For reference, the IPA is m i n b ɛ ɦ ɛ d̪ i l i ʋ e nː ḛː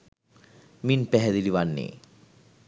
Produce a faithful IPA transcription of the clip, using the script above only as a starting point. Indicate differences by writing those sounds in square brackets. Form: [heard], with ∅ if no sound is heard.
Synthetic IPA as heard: m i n [p] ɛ ɦ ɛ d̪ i l i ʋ [a] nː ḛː